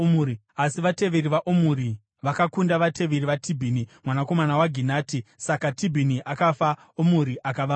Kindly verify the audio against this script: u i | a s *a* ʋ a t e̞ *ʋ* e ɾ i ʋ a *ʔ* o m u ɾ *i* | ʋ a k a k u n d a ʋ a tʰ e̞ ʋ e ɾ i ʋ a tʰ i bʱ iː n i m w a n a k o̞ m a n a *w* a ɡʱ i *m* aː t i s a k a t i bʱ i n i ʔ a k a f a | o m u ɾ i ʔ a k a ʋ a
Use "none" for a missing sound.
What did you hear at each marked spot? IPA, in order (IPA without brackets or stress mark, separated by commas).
i, ʋ, ʔ, i, w, n